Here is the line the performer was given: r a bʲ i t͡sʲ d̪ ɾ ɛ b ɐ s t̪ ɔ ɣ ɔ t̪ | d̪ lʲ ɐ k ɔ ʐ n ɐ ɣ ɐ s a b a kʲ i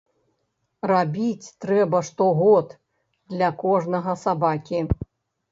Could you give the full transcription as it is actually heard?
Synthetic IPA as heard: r a bʲ i t͡sʲ t̪ ɾ ɛ b ɐ ʂ t̪ ɔ ɣ ɔ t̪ | d̪ lʲ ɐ k ɔ ʐ n ɐ ɣ ɐ s a b a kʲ i